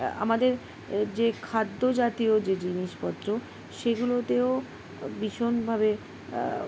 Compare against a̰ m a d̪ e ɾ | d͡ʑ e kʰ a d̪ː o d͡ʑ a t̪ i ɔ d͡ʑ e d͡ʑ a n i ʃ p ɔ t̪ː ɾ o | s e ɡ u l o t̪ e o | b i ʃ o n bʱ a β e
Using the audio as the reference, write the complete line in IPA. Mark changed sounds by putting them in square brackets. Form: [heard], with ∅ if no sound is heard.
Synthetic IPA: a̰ m a d̪ e ɾ | d͡ʑ e kʰ a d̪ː o d͡ʑ a t̪ i [o] d͡ʑ e d͡ʑ [i] n i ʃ p ɔ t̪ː ɾ o | [ʃ] e ɡ u l o t̪ e o | b i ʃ o n bʱ a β e